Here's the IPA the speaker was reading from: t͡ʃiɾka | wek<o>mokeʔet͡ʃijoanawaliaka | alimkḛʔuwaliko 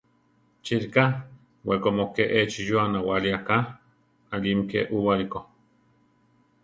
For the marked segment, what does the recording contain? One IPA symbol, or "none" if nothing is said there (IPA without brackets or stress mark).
o